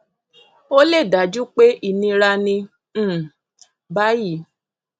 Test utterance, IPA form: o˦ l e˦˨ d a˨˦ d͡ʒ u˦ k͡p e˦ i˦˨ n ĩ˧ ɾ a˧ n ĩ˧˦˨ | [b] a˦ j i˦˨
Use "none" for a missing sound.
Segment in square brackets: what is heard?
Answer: b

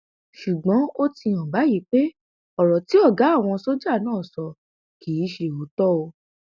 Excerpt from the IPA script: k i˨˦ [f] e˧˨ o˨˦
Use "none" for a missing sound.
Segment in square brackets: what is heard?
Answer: ʃ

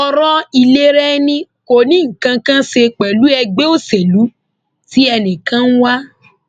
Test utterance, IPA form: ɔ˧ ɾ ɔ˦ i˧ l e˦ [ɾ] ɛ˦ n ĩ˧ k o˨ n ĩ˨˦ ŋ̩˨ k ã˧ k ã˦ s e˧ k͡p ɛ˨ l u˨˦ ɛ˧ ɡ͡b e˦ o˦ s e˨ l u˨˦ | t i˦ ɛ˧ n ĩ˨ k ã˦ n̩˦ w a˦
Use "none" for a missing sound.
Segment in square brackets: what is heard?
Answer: ɾ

